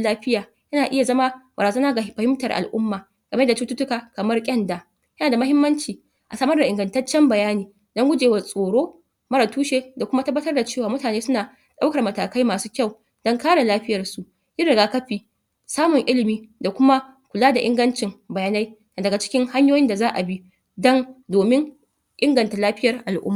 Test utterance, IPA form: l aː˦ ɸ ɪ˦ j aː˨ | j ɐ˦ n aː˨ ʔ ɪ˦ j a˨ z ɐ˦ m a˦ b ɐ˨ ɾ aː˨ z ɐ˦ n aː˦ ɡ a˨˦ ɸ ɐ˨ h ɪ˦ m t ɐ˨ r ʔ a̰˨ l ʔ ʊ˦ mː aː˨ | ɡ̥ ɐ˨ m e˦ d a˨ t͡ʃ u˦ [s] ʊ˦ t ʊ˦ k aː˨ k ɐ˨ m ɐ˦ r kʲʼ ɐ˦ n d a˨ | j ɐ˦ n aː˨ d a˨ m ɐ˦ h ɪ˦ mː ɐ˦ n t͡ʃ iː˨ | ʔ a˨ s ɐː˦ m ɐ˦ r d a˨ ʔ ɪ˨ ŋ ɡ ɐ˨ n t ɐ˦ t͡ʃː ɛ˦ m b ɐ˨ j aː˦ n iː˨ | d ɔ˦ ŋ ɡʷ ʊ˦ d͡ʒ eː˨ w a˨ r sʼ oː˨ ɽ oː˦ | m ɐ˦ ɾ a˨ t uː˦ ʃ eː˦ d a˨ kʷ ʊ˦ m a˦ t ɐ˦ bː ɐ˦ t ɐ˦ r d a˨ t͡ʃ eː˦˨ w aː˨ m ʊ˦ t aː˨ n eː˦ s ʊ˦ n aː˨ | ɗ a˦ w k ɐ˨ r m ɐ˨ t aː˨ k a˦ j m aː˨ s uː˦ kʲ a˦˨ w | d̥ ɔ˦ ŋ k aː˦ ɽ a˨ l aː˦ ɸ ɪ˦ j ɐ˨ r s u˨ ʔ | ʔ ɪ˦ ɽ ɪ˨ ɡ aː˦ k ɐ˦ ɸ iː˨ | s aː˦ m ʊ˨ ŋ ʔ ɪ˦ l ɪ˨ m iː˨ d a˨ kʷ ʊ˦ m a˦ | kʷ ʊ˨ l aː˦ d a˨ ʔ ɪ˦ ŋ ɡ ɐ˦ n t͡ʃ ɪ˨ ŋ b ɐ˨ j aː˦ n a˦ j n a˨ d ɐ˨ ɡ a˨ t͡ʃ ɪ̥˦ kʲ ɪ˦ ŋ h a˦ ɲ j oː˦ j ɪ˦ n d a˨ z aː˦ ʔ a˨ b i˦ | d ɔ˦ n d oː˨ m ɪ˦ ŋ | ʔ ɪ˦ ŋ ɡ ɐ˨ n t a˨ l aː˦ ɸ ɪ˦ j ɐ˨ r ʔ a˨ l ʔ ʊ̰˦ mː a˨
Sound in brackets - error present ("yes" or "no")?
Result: yes